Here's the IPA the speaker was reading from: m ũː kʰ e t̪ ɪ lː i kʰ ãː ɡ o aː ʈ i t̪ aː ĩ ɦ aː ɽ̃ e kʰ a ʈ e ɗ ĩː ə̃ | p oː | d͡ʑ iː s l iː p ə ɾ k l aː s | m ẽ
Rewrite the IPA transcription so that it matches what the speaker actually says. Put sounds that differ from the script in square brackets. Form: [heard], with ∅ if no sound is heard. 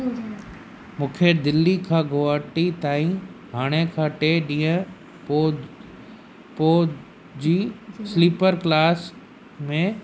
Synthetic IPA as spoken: m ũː kʰ e [d̪] ɪ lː i kʰ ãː ɡ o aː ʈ i t̪ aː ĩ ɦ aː ɽ̃ e kʰ a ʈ e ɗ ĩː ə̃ | p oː | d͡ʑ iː s l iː p ə ɾ k l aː s | m ẽ

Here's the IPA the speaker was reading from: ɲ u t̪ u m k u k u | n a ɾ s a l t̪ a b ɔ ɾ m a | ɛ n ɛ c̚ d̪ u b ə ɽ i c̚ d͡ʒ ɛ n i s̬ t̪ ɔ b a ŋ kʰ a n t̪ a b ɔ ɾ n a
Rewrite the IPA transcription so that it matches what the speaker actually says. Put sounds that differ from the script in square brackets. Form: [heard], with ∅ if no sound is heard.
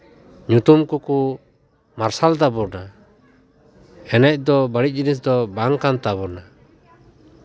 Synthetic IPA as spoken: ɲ u t̪ u m k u k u | [m] a ɾ s a l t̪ a b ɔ ɾ [n] a | ɛ n ɛ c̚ d̪ [ɔ] b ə ɽ i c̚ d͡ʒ [i] n i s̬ [d̪] ɔ b a ŋ [k] a n t̪ a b ɔ ɾ n a

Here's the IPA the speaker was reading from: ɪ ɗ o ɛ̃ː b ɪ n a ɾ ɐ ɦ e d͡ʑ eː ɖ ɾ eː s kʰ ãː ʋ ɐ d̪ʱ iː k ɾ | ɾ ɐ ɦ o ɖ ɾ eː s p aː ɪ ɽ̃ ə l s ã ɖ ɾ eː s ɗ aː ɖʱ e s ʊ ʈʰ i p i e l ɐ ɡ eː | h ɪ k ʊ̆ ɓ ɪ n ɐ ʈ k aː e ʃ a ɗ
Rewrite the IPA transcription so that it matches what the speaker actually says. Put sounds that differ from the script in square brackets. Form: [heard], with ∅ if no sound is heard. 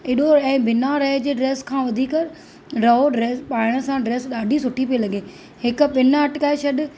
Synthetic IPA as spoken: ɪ ɗ o ɛ̃ː b ɪ n a ɾ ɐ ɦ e d͡ʑ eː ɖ ɾ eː s kʰ ãː ʋ ɐ d̪ʱ iː k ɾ | ɾ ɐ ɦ o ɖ ɾ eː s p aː ɪ ɽ̃ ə [∅] s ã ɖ ɾ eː s ɗ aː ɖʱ [i] s ʊ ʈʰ i p i e l ɐ ɡ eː | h ɪ k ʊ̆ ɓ ɪ n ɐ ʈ k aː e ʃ [ɐ] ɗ

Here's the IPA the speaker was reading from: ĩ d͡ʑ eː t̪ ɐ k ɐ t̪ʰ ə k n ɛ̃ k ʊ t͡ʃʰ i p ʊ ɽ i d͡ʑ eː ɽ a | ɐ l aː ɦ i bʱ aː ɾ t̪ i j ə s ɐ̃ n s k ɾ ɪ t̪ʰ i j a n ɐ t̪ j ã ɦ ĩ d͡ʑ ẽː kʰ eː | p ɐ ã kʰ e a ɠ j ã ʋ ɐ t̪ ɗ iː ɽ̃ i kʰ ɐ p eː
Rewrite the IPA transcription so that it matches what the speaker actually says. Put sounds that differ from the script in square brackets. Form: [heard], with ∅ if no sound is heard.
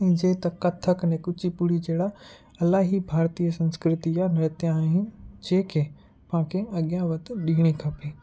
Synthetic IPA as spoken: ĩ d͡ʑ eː t̪ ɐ k ɐ t̪ʰ ə k n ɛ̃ k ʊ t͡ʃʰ i p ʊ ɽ i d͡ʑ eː ɽ a | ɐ l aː ɦ i bʱ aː ɾ t̪ i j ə s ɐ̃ n s k ɾ ɪ [t̪] i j a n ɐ t̪ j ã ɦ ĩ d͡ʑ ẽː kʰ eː | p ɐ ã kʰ e [ɐ] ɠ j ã ʋ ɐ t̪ ɗ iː ɽ̃ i kʰ ɐ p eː

